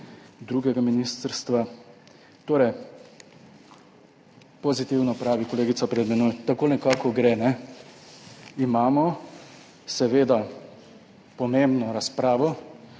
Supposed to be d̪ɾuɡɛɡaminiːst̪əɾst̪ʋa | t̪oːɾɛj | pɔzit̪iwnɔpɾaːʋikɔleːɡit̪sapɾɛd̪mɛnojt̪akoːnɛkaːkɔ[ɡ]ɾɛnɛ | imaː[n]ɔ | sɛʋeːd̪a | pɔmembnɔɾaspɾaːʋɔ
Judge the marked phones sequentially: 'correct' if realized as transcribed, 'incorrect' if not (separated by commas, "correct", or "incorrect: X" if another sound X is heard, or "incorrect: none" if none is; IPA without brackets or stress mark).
correct, incorrect: m